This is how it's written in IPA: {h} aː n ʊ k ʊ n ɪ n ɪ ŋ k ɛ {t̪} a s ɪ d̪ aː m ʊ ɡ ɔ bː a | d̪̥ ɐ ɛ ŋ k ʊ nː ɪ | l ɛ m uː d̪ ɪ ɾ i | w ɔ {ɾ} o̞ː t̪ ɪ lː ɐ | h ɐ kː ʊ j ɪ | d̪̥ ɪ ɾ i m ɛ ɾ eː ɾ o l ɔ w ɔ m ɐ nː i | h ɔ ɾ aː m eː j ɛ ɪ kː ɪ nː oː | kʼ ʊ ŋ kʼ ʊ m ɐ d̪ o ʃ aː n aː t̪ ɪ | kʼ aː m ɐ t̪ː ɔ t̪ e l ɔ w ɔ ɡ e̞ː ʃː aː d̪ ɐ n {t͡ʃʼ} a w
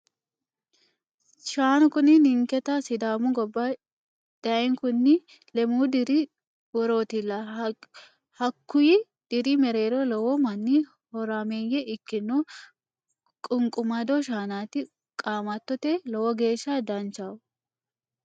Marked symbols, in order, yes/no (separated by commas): no, yes, yes, no